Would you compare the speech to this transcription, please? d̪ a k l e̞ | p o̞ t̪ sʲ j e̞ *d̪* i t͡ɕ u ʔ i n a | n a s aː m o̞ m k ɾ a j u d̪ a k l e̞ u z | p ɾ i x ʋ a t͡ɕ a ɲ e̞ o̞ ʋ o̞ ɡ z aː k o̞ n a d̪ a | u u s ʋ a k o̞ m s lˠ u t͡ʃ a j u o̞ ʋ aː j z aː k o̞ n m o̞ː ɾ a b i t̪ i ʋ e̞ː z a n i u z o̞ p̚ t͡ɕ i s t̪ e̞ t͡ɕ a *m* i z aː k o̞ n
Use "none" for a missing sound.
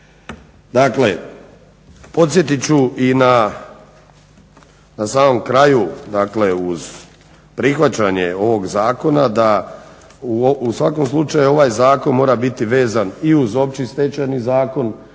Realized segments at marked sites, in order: t̪, n

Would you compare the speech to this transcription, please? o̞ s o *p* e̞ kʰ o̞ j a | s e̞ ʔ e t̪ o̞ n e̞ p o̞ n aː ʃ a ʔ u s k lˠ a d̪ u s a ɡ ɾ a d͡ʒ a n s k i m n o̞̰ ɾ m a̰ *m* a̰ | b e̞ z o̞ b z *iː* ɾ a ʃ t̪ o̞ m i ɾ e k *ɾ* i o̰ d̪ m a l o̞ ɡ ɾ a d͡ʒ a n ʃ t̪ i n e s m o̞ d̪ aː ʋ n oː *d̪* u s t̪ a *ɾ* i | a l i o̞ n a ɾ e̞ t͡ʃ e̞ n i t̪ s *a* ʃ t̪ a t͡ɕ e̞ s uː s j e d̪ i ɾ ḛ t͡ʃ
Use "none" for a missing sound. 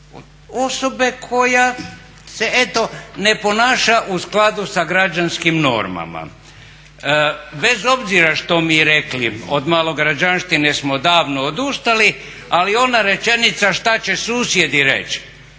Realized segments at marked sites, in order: b, m, i, l, d̪, l, a

